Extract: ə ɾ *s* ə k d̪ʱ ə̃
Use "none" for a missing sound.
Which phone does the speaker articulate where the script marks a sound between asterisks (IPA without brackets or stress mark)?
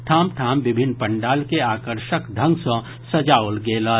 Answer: ʃ